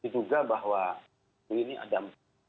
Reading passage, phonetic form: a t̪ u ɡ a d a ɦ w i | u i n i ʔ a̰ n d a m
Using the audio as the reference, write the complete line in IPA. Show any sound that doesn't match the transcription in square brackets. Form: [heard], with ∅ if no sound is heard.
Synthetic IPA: [i] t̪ u ɡ a [b] a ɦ w [a] | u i n i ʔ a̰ [∅] d a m